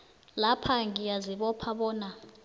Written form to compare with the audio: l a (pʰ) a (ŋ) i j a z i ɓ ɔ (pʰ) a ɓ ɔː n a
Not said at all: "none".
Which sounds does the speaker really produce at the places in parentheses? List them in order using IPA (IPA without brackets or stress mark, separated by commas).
pʰ, ŋ, pʰ